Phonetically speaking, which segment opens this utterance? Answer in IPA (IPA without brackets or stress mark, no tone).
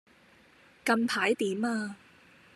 k